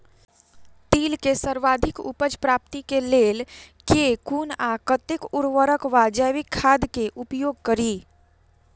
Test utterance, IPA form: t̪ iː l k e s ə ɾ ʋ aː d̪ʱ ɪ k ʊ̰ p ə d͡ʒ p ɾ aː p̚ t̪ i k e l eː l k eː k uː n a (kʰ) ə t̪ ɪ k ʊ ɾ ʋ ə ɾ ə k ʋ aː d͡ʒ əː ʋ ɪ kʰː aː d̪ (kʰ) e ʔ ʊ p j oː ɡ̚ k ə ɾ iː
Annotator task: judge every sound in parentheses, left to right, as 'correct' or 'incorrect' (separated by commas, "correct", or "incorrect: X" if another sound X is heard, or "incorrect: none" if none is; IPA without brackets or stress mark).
incorrect: k, incorrect: k